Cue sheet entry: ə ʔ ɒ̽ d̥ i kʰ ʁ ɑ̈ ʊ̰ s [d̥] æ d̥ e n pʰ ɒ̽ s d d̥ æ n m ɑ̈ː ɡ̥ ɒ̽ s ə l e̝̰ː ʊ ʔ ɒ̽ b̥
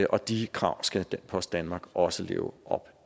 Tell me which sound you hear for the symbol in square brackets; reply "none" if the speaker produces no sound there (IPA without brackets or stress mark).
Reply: ɡ̥